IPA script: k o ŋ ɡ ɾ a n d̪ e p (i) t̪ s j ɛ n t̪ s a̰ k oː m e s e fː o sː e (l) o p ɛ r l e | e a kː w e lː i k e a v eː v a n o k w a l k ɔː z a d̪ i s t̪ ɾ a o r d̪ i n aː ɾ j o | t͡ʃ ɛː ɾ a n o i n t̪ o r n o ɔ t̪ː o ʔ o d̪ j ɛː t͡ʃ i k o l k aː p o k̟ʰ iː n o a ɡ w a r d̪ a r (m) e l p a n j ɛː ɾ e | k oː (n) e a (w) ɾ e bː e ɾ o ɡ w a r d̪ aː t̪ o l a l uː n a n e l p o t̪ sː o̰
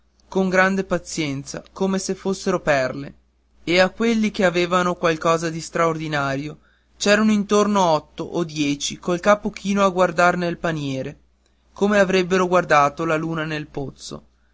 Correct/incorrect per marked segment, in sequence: incorrect: a, incorrect: ɾ, incorrect: n, incorrect: m, incorrect: v

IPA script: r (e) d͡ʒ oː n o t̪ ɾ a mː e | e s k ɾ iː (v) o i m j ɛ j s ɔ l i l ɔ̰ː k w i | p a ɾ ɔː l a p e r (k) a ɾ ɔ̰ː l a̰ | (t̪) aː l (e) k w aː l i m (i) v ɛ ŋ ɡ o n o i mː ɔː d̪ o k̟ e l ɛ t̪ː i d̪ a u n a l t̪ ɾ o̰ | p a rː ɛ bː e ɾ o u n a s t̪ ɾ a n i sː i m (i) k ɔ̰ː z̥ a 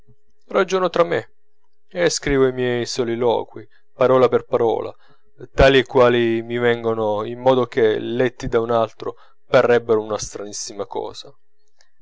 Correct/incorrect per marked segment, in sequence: incorrect: a, correct, incorrect: p, correct, incorrect: i, correct, incorrect: a

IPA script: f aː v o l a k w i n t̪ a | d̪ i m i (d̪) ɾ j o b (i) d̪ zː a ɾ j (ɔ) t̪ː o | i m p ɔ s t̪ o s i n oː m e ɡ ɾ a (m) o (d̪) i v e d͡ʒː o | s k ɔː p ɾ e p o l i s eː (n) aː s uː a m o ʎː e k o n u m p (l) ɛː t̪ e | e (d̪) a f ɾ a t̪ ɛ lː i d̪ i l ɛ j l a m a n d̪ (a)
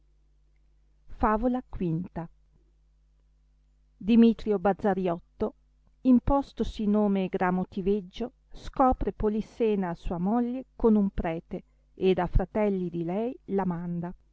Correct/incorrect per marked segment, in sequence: incorrect: t̪, incorrect: a, correct, correct, incorrect: t̪, correct, incorrect: ɾ, correct, correct

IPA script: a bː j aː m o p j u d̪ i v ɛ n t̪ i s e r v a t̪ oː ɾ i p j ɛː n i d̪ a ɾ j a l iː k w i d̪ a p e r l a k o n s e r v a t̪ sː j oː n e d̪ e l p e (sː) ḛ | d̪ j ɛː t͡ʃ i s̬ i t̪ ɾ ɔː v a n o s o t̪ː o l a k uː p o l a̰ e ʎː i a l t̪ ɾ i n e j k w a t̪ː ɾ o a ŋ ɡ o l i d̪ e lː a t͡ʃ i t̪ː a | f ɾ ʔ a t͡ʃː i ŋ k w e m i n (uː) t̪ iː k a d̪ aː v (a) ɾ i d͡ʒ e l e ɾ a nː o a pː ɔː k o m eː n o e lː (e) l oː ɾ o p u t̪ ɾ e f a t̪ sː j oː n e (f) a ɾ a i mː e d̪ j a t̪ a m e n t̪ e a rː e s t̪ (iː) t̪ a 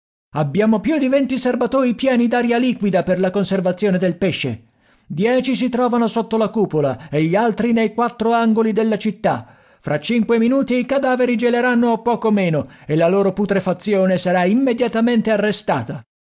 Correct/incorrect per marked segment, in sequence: incorrect: ʃː, correct, incorrect: e, incorrect: a, incorrect: s, incorrect: aː

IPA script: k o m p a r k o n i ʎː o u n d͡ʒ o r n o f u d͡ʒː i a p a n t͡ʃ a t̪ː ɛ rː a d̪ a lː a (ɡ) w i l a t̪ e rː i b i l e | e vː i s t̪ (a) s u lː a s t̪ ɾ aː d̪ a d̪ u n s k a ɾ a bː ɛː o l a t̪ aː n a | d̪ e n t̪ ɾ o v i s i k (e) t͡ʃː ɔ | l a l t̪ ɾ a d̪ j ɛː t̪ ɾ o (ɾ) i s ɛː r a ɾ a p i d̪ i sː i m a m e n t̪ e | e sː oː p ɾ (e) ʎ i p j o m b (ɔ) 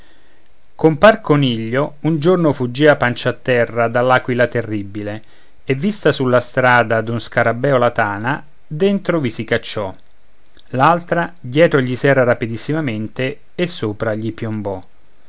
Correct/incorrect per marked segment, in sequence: incorrect: k, correct, incorrect: a, incorrect: ʎ, incorrect: a, correct

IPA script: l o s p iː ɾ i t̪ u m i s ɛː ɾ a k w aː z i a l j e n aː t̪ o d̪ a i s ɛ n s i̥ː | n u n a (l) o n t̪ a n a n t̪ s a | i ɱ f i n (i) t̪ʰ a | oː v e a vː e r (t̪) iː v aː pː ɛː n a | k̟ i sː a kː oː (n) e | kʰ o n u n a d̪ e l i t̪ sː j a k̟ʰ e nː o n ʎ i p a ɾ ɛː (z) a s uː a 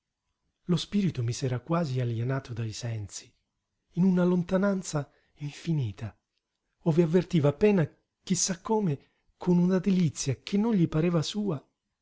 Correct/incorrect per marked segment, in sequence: correct, incorrect: iː, correct, incorrect: m, incorrect: v

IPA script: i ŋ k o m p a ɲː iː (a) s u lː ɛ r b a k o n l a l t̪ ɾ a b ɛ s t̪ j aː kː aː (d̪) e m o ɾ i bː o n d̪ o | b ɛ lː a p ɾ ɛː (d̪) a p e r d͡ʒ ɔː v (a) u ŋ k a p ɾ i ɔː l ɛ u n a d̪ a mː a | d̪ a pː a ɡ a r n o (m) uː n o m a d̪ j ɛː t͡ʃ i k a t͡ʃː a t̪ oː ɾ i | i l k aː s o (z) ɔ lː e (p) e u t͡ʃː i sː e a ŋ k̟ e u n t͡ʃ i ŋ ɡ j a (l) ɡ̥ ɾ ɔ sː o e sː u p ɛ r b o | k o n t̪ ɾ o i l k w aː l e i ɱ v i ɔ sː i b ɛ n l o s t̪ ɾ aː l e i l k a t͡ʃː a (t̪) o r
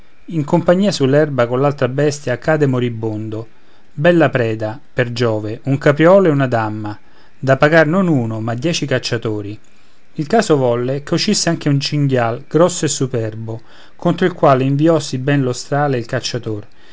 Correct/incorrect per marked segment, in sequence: correct, correct, correct, incorrect: e, incorrect: n, incorrect: v, incorrect: k, correct, correct

